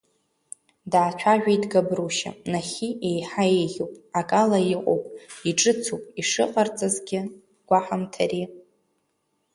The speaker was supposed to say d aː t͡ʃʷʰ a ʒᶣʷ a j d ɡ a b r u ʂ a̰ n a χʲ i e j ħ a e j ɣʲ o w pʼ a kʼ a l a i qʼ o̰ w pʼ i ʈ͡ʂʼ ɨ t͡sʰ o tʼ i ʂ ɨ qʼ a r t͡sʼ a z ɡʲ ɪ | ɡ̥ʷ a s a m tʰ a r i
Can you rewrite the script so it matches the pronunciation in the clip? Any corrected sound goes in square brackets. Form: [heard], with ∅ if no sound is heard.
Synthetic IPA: d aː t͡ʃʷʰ a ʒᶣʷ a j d ɡ a b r u [ʃ] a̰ n a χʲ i e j ħ a e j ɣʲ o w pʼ a kʼ a l a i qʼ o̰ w pʼ i ʈ͡ʂʼ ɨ t͡sʰ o [pʼ] i ʂ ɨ qʼ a r t͡sʼ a z ɡʲ ɪ | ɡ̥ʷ a [ħ] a m tʰ a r i

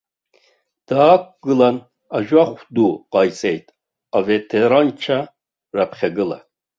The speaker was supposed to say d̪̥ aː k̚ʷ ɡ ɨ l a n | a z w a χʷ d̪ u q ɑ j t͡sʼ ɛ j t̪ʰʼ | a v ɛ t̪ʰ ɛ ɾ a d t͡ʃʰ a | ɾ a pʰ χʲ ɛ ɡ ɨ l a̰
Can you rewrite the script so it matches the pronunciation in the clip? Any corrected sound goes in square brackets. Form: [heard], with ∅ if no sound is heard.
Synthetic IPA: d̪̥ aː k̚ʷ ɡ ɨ l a n | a [ʒ] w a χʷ d̪ u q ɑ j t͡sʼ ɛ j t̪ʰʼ | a v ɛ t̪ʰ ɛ ɾ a [n] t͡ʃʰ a | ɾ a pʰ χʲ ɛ ɡ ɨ l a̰

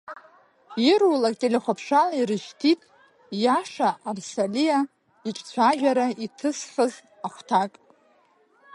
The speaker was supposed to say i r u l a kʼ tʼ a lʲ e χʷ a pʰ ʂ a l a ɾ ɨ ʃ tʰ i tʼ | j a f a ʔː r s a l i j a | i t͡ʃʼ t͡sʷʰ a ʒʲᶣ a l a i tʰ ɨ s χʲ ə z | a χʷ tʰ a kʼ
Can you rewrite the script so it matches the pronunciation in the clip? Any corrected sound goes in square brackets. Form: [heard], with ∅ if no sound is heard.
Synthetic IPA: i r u l a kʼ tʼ [e] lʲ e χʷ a pʰ ʂ a l [i] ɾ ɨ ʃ tʰ i tʼ | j a [ʂ] a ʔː r s a l i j a | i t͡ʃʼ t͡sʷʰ a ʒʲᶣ a [ɾ] a i tʰ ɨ s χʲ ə z | a χʷ tʰ a kʼ

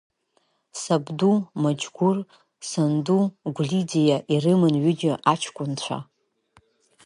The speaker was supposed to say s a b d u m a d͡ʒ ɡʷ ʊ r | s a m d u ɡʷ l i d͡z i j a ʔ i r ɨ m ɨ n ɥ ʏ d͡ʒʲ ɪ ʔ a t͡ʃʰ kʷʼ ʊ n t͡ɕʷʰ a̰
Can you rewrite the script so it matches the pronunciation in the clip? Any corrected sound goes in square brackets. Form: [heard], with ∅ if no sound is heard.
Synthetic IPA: s a b d u m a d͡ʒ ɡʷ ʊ r | s a [n] d u ɡʷ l i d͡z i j a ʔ i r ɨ m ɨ n ɥ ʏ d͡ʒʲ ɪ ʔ a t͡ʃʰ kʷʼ ʊ n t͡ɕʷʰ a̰

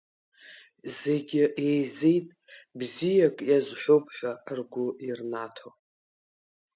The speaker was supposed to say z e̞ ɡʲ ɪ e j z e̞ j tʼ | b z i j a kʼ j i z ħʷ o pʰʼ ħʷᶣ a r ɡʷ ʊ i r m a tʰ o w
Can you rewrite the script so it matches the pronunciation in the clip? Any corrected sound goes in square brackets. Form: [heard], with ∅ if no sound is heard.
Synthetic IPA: z e̞ ɡʲ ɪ e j z e̞ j tʼ | b z i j a kʼ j [a] z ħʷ o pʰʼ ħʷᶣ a r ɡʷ ʊ i r [n] a tʰ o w

